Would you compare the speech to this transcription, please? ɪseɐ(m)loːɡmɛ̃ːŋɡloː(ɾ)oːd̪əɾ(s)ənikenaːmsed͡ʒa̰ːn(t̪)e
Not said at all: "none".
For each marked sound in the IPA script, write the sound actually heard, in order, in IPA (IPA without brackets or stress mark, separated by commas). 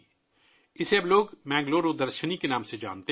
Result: b, ɾ, ʃ, t̪